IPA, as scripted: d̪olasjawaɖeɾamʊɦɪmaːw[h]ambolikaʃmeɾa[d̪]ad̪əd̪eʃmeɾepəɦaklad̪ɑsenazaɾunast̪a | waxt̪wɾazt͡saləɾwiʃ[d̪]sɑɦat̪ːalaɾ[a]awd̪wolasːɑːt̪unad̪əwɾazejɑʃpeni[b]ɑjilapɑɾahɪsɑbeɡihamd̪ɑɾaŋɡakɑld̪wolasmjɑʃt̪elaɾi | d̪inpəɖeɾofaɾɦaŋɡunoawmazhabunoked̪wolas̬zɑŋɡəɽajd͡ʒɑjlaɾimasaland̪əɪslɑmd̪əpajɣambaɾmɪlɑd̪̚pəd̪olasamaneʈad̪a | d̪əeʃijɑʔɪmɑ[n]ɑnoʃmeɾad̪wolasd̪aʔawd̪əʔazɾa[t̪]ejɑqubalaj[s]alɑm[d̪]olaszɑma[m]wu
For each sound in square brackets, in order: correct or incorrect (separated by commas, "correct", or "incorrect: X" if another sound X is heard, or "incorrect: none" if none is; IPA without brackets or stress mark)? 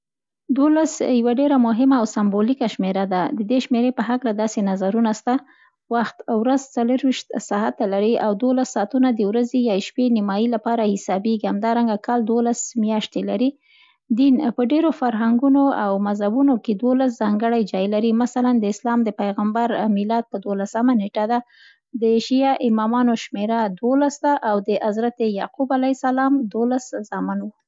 incorrect: s, correct, incorrect: t̪, incorrect: i, incorrect: m, incorrect: m, correct, correct, correct, incorrect: n